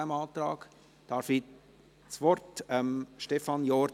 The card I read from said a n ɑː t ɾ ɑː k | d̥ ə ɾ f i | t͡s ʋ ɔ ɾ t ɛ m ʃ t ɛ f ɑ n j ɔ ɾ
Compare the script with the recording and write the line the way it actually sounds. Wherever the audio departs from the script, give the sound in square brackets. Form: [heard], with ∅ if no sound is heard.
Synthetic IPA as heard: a [m] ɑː t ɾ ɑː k | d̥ [ɑ] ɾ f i | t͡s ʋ ɔ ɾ t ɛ m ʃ t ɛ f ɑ n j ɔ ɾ